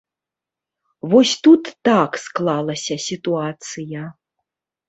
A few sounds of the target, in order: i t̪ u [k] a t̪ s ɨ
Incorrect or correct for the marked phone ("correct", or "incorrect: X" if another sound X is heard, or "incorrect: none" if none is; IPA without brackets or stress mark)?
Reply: incorrect: none